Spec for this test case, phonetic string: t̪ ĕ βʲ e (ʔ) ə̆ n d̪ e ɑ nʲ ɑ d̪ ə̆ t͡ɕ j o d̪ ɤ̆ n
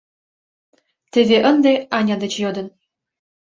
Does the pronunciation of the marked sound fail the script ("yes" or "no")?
no